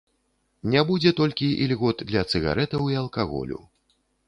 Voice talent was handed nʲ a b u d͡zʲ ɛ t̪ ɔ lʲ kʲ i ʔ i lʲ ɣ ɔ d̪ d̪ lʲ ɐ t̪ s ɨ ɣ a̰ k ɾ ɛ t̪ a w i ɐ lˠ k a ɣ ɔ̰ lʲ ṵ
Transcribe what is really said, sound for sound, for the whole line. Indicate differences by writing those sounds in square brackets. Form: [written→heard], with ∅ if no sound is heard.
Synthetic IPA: nʲ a b u d͡zʲ ɛ t̪ ɔ lʲ kʲ i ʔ i lʲ ɣ ɔ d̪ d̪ lʲ ɐ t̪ s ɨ ɣ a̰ [k→∅] ɾ ɛ t̪ [a→ɐ] w i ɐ lˠ k a ɣ ɔ̰ lʲ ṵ